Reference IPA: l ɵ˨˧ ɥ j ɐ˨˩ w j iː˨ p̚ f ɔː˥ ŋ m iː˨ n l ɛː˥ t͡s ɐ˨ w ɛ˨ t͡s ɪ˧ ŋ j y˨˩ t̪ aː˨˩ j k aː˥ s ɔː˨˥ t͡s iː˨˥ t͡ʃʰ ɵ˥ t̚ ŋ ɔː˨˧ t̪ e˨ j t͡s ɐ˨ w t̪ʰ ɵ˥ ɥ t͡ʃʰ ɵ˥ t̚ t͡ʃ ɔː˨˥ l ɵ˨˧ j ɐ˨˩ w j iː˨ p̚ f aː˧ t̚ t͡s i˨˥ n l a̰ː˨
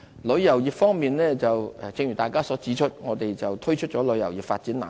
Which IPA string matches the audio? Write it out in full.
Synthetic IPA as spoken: l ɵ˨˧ ɥ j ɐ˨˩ w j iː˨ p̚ f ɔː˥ ŋ m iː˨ n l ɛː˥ t͡s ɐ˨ w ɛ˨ t͡s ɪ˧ ŋ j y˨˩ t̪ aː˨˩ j k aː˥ s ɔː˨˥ t͡s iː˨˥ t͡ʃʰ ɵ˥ t̚ ŋ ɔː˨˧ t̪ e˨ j t͡s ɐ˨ w t̪ʰ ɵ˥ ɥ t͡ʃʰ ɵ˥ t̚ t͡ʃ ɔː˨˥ l ɵ˨˧ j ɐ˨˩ w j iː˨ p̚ f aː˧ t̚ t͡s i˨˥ n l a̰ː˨